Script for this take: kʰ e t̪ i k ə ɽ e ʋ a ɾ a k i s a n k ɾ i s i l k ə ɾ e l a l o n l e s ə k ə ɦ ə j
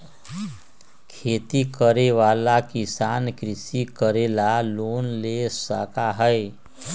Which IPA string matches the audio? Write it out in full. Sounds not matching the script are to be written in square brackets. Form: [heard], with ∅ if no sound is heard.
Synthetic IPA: kʰ e t̪ i k ə [ɾ] e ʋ a [l] a k i s a n k ɾ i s i [∅] k ə ɾ e l a l o n l e s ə k [a] ɦ ə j